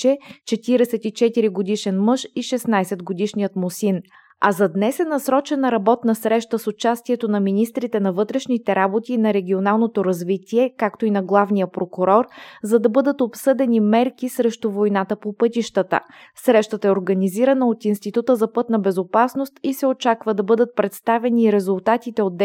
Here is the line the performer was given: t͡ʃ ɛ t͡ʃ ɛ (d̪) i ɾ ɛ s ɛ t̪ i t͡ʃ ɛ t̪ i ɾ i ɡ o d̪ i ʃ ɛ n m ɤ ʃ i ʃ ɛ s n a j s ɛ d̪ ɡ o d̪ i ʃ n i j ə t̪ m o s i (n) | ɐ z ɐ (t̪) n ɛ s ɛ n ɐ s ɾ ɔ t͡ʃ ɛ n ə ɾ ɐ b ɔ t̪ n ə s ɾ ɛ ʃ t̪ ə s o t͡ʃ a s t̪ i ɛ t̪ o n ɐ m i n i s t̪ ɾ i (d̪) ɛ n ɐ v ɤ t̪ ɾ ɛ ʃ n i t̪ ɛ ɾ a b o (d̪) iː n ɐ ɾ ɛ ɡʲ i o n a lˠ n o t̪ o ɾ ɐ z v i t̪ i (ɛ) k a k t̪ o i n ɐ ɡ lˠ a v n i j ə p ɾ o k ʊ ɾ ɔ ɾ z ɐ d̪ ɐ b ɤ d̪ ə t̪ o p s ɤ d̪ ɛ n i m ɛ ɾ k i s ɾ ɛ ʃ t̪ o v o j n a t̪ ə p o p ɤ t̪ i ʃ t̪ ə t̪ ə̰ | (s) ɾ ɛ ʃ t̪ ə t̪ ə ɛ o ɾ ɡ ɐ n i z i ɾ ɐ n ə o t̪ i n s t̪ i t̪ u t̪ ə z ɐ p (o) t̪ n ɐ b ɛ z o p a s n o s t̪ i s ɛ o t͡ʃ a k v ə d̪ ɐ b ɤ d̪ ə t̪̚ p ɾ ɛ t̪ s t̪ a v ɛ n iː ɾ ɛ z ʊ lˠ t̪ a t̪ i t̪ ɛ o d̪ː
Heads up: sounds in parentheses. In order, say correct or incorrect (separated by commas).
incorrect, correct, incorrect, incorrect, incorrect, correct, correct, incorrect